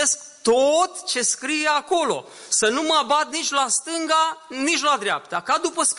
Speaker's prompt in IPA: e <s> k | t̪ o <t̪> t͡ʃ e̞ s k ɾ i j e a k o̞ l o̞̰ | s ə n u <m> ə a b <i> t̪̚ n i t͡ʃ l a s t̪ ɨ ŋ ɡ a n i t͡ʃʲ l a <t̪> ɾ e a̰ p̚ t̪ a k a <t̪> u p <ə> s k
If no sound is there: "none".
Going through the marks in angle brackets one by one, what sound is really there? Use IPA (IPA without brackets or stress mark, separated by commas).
s, t̪, m, a, d̪, d̪, ə